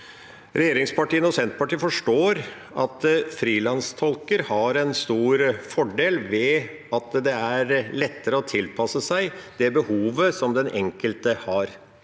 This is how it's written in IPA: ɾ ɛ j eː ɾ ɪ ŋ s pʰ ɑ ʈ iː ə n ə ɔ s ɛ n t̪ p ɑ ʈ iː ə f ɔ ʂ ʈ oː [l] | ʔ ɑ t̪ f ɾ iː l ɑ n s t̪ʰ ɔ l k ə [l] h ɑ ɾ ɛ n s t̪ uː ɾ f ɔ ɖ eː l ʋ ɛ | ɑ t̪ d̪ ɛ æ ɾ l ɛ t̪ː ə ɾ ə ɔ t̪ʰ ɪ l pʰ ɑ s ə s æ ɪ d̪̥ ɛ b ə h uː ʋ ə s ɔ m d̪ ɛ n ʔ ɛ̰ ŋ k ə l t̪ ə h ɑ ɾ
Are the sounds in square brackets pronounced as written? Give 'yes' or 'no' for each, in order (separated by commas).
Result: no, no